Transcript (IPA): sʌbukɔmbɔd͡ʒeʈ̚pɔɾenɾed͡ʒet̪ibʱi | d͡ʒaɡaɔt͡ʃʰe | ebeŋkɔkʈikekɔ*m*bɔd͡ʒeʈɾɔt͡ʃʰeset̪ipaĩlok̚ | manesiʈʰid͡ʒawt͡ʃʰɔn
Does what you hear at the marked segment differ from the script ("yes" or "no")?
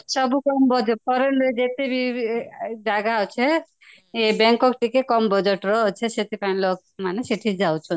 no